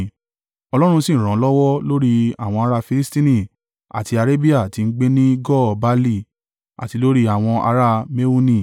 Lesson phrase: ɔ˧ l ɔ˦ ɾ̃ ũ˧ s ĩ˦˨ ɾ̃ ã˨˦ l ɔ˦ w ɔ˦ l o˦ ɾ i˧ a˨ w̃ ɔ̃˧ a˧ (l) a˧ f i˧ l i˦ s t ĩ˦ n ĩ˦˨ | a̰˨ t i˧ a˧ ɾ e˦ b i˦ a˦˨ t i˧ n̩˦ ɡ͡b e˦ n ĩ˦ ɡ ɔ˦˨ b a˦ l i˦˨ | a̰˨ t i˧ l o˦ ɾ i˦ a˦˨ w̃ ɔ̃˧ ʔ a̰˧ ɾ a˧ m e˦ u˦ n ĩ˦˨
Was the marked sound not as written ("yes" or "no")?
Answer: yes